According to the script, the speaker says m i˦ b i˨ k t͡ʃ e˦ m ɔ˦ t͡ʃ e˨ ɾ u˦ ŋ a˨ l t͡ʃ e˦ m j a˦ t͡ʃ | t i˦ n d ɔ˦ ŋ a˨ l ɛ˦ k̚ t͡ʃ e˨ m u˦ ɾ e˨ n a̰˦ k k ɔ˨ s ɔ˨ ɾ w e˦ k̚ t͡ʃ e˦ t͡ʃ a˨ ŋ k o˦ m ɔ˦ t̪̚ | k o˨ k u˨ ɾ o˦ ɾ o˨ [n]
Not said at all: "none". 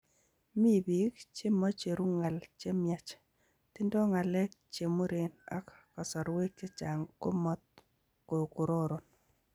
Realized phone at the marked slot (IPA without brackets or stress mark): n